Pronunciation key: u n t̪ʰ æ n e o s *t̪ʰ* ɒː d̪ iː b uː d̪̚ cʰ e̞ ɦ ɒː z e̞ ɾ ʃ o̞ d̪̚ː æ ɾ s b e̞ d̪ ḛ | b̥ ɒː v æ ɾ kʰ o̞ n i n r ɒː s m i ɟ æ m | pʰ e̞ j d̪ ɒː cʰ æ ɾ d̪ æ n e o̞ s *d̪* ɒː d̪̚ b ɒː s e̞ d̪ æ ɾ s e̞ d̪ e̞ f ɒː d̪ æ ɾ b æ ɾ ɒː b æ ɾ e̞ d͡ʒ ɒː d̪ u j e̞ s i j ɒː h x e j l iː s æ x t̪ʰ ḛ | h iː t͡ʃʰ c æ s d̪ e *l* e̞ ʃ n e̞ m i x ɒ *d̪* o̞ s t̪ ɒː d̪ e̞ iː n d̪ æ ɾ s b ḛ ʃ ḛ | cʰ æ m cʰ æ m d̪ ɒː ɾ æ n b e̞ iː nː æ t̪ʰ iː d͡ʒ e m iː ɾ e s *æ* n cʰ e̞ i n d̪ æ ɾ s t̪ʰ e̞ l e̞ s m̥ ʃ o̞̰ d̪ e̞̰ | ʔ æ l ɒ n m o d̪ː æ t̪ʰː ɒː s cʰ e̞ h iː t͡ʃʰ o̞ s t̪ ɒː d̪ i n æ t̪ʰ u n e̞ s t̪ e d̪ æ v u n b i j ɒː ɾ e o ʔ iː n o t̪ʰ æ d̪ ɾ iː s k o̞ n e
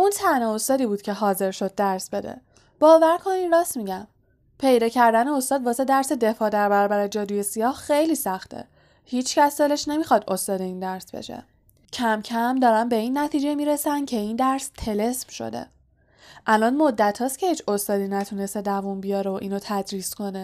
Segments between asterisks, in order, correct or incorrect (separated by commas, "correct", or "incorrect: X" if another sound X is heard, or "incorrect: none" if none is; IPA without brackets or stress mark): incorrect: t̪, incorrect: t̪, correct, correct, correct